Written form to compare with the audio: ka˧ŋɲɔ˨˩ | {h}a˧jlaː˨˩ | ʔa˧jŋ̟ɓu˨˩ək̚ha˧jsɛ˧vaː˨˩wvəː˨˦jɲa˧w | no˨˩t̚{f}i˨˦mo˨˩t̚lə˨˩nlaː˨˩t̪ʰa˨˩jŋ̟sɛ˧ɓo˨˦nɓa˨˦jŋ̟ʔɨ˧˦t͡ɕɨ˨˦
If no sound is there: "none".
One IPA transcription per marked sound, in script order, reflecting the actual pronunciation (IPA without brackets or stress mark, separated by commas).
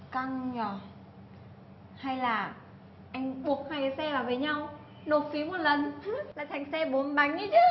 h, f